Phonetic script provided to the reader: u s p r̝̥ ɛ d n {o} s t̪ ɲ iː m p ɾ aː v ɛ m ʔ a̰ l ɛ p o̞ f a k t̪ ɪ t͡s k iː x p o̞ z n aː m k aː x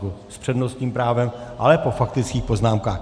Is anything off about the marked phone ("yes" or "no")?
no